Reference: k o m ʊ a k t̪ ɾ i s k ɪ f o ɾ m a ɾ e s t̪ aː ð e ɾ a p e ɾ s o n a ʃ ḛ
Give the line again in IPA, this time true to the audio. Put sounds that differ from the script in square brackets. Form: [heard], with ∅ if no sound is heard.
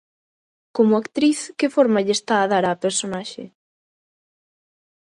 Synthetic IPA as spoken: k o m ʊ a k t̪ ɾ i [θ] k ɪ f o ɾ m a [ʎ] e s t̪ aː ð [a] ɾ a p e ɾ s o n a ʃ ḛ